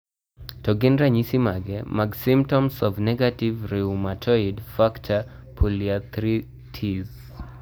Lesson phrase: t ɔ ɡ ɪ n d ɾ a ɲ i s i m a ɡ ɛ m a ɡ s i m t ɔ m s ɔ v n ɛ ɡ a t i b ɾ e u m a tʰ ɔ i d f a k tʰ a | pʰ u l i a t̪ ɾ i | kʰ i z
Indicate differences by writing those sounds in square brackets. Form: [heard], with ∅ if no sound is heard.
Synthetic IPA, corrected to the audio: t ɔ ɡ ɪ n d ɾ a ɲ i s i m a ɡ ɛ m a ɡ s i m t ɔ m s ɔ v n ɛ ɡ a t i [v] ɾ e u m a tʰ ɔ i d f a k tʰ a | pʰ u l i a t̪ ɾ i | [tʰ] i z

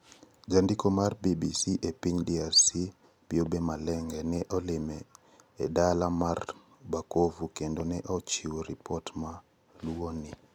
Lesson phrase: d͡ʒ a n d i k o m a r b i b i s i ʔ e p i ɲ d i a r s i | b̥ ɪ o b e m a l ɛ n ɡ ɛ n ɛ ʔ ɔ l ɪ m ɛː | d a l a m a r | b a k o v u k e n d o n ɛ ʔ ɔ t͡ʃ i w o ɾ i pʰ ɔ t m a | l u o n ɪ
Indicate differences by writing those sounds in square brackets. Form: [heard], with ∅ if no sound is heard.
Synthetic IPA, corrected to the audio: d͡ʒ a n d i k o m a r b i b i s i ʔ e p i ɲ d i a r s i | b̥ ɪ o b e m a l ɛ [ŋ] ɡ ɛ n ɛ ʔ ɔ l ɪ m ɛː | d a l a m a r | b a k o v u k e n d o n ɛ ʔ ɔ t͡ʃ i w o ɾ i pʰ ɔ t m a | l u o n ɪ

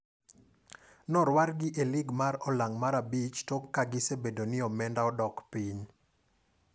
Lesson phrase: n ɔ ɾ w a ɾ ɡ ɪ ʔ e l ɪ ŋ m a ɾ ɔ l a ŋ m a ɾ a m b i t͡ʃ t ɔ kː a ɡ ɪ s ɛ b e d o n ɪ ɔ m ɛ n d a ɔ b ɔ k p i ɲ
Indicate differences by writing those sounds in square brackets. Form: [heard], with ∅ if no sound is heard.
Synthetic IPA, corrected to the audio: n ɔ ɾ w a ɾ ɡ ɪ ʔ e l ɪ [ɡ] m a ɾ ɔ l a ŋ m a ɾ a [∅] b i t͡ʃ t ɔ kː a ɡ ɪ s [e] b e d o n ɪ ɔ m ɛ n d a ɔ [d] ɔ k p i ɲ

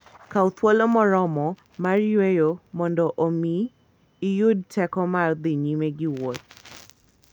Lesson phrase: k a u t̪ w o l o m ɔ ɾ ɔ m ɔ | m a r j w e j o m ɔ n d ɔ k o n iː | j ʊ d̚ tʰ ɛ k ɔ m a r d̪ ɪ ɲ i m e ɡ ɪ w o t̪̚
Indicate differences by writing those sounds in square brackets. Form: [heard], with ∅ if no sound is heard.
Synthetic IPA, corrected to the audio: k a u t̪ w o l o m ɔ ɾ ɔ m ɔ | m a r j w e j o m ɔ n d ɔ [ʔ] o [m] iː | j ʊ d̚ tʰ ɛ k ɔ m a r d̪ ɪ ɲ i m e ɡ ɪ w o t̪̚

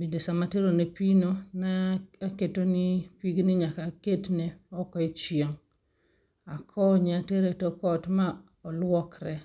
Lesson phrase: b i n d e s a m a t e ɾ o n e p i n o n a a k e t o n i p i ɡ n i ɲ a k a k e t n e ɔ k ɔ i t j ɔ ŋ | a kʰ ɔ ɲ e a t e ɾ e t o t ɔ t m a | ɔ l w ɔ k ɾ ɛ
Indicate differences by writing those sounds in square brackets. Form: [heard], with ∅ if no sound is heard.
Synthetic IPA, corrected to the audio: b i n d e s a m a t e ɾ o n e p i n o n a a k e t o n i p i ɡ n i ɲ a k a k e t n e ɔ k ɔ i [t͡ʃ] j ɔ ŋ | a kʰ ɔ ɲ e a t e ɾ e t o [k] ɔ t m a | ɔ l w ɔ k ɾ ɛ

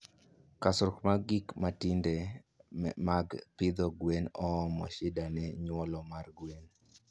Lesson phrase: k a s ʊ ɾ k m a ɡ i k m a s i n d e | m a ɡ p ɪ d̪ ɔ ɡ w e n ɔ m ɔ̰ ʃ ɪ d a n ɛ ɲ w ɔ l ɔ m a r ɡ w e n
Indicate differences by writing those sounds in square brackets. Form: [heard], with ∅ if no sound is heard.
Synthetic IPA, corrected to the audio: k a s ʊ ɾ k m a ɡ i k m a [t] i n d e | m a ɡ p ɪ d̪ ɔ ɡ w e n ɔ m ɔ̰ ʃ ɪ d a n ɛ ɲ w ɔ l ɔ m a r ɡ w e n

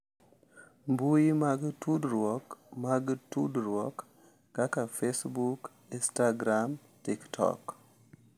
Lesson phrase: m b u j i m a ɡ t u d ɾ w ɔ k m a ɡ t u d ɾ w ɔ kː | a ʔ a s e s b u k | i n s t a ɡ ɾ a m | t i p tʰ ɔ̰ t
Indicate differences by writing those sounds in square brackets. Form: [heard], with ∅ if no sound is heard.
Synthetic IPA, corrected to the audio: m b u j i m a ɡ t u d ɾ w ɔ k m a ɡ t u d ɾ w ɔ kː | a [k] a [f] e s b u k | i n s t a ɡ ɾ a m | t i [k] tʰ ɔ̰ [k]

